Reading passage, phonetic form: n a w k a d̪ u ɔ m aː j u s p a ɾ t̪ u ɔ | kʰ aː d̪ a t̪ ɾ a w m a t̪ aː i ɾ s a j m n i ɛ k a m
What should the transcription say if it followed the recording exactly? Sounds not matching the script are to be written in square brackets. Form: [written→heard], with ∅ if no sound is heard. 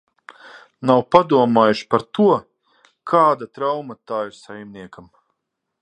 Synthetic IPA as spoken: n a w [k→p] a d̪ u ɔ m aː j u [s→ʃ] p a ɾ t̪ u ɔ | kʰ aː d̪ a t̪ ɾ a w m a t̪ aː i ɾ s a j m n i ɛ k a m

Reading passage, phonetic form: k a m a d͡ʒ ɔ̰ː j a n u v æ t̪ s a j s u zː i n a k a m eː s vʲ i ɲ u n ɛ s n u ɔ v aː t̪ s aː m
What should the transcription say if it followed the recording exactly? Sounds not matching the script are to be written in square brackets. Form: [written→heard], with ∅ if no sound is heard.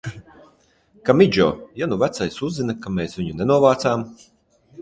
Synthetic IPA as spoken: k a m [a→i] d͡ʒ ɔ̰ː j a n u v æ t̪ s a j s u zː i n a k a m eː s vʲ i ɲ u n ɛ [s→∅] n u ɔ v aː t̪ s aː m

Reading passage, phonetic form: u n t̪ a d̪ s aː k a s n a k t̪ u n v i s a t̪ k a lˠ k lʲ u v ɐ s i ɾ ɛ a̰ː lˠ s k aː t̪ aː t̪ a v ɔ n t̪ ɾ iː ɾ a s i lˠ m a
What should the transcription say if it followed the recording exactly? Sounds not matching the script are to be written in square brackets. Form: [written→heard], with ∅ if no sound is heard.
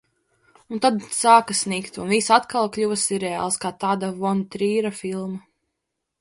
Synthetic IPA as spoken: u n t̪ a d̪ s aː k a s n [a→i] k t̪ u n v i s a t̪ k a lˠ k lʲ u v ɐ s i ɾ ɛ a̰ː lˠ s k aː t̪ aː [t̪→d̪] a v ɔ n t̪ ɾ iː ɾ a [s→f] i lˠ m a

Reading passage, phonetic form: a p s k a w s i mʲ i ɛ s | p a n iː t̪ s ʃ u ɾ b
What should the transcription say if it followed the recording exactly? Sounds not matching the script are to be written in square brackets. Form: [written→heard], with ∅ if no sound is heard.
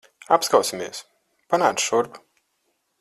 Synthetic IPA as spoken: a p s k a w s i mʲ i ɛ s | p a n [iː→aː] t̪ s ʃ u ɾ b

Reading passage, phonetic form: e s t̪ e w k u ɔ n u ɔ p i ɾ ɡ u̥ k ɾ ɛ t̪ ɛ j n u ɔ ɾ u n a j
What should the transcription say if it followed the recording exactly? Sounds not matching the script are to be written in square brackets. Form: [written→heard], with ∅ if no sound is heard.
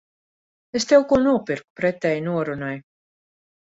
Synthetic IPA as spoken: e s t̪ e w k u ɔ n u ɔ p i ɾ [ɡ→k] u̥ [k→p] ɾ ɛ t̪ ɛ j n u ɔ ɾ u n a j

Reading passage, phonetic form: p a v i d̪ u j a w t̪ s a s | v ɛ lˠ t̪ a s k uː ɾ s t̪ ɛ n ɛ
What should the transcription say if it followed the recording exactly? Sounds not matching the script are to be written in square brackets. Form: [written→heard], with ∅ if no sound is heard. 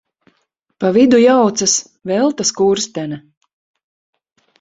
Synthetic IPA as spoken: p a v i d̪ u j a w t̪ s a s | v ɛ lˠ t̪ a s k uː ɾ s t̪ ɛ n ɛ

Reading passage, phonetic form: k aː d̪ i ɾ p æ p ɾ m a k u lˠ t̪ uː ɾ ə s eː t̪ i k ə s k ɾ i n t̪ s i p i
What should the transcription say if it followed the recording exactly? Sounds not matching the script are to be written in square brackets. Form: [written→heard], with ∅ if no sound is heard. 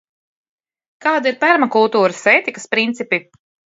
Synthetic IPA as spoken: k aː d̪ i ɾ p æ [p→∅] ɾ m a k u lˠ t̪ uː ɾ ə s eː t̪ i k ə s [k→p] ɾ i n t̪ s i p i

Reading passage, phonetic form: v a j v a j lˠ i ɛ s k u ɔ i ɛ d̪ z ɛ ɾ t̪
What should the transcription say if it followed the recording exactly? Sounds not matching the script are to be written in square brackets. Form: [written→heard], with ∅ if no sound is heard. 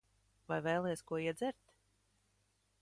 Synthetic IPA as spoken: v a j v [a→ɛ] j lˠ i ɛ s k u ɔ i ɛ d̪ z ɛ ɾ t̪

